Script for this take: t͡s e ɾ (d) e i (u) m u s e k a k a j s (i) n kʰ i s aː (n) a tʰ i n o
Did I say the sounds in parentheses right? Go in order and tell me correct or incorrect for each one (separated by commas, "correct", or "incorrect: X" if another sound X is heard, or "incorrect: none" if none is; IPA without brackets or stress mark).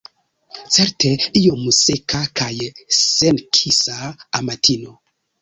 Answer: incorrect: t, incorrect: o, incorrect: e, incorrect: m